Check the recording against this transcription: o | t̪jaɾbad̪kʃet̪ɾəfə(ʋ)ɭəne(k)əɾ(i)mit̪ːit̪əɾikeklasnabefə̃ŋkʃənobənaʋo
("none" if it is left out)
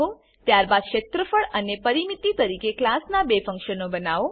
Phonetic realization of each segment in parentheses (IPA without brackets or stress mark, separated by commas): none, p, i